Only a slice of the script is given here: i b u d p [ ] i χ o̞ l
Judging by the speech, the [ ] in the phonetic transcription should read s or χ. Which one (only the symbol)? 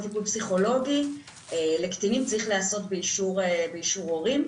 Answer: s